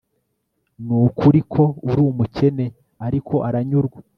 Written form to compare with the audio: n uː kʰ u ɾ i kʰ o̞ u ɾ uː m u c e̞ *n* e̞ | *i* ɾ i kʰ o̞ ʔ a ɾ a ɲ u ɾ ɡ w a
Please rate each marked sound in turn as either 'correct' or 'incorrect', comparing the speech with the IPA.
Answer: correct, incorrect

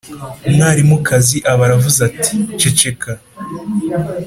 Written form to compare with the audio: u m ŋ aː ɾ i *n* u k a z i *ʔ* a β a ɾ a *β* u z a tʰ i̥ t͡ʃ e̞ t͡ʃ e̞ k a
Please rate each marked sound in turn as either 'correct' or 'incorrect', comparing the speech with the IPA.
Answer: incorrect, correct, incorrect

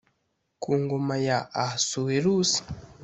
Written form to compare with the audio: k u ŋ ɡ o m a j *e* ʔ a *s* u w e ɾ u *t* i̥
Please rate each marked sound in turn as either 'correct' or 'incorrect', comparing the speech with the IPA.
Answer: incorrect, correct, incorrect

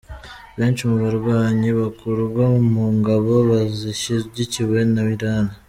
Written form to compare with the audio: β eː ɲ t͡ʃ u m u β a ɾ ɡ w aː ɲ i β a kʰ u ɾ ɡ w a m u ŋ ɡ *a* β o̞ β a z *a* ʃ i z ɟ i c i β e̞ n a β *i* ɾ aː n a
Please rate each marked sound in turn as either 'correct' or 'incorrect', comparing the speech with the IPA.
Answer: correct, incorrect, correct

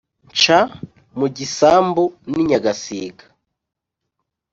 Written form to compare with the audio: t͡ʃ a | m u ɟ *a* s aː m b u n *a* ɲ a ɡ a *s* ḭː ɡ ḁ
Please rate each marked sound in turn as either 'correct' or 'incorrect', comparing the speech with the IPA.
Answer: incorrect, incorrect, correct

